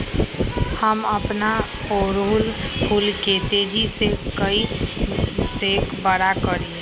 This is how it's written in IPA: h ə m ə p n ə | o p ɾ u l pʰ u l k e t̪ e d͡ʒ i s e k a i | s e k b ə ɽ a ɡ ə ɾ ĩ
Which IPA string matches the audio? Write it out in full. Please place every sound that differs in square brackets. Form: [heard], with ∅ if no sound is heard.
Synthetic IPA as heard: h ə m ə p n [a] | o [∅] ɾ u l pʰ u l k e t̪ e d͡ʒ i s e k [ə] i | s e k b ə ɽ a [k] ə ɾ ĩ